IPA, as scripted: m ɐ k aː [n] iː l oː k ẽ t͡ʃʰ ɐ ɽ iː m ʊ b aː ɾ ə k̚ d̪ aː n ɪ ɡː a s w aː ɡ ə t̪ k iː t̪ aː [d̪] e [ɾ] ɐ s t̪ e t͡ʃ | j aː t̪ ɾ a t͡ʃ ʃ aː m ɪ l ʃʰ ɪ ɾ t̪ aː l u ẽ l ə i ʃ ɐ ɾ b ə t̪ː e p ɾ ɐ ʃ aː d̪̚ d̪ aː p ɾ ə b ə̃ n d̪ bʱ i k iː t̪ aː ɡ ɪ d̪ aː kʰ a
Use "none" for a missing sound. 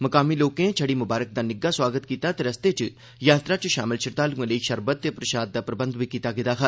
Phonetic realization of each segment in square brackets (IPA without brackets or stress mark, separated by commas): m, t̪, ɾ